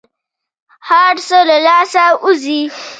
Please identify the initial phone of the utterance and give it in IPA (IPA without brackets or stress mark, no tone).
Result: h